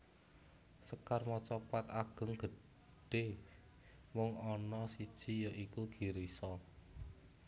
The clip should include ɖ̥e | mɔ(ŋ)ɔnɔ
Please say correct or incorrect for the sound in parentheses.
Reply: correct